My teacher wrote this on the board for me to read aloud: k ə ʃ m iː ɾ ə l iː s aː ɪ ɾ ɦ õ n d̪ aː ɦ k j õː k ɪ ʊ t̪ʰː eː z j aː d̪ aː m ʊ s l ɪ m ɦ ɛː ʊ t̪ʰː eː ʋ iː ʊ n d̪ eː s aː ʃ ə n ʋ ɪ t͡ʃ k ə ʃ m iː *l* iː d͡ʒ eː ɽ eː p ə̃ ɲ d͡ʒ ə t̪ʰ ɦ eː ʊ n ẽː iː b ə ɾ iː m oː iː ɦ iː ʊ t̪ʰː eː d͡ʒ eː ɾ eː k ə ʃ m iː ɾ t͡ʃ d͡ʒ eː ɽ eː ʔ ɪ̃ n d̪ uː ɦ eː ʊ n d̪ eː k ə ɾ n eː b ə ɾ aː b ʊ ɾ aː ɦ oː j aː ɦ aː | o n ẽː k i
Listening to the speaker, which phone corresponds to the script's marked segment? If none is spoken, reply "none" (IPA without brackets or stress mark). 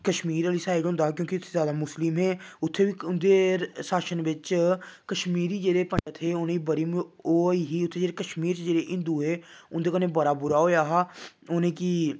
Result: ɾ